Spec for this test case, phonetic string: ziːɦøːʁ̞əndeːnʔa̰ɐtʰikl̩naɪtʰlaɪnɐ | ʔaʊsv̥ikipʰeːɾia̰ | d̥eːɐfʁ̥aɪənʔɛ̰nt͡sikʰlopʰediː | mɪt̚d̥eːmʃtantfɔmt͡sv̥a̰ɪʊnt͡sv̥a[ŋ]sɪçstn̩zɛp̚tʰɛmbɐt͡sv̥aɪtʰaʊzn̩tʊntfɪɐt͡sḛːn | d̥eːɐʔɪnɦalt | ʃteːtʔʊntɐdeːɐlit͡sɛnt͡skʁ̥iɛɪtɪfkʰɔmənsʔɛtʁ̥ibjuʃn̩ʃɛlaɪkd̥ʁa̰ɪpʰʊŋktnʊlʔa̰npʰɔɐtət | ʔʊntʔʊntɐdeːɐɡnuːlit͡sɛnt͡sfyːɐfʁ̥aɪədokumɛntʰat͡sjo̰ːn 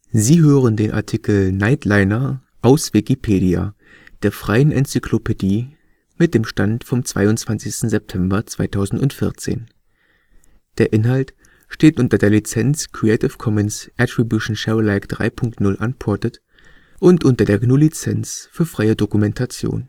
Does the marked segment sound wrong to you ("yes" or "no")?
yes